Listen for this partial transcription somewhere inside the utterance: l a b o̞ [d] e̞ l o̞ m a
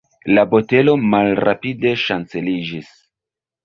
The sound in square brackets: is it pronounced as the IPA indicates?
no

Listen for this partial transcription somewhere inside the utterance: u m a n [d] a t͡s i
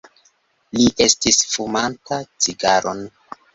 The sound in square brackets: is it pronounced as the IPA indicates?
no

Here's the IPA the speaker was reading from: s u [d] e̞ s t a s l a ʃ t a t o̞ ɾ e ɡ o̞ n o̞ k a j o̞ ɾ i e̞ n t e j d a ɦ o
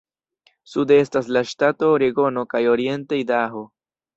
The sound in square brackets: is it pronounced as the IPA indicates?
yes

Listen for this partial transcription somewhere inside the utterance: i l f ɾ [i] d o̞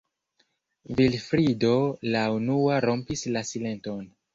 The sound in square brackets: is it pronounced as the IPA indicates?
yes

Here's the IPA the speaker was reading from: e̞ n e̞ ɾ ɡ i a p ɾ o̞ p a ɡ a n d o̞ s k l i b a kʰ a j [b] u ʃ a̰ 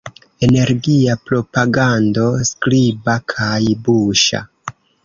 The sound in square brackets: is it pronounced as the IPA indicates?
yes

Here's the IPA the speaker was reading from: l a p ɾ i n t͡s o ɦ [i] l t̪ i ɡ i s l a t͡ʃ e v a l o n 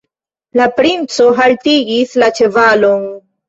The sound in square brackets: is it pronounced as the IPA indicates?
no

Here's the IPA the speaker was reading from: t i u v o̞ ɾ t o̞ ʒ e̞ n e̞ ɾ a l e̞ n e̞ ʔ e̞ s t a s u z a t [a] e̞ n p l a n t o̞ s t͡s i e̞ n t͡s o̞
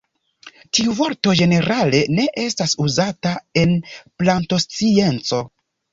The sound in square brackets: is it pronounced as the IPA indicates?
yes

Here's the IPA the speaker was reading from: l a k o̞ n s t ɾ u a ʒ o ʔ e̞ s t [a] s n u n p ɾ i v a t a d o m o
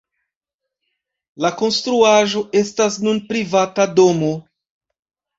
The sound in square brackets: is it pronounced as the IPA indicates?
yes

